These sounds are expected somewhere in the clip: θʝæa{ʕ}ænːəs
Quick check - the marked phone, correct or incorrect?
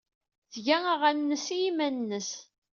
incorrect